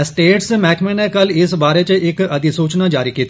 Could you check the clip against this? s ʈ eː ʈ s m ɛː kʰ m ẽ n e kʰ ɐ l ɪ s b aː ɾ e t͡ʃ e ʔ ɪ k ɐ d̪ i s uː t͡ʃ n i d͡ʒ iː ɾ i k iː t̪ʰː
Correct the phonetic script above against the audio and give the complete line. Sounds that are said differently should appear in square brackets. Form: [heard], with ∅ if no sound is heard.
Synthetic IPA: s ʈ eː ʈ s m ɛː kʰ m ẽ n e [k] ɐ l ɪ s b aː ɾ e t͡ʃ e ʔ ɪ k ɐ d̪ i s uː t͡ʃ n [a] d͡ʒ [aː] ɾ i k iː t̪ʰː